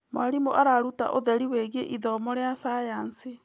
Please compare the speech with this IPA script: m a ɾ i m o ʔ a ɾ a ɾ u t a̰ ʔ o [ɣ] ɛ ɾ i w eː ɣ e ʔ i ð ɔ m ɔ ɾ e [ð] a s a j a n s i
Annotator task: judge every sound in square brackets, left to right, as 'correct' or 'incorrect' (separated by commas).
incorrect, incorrect